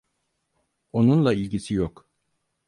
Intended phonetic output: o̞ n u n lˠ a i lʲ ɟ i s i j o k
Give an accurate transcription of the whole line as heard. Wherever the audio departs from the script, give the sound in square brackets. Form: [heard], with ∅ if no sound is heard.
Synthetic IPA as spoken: o̞ n u n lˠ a i lʲ ɟ i s i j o k